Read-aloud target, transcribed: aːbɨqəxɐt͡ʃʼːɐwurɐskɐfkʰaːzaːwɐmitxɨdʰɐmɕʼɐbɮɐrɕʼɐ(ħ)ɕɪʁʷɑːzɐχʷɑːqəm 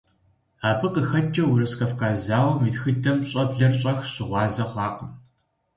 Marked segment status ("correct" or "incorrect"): incorrect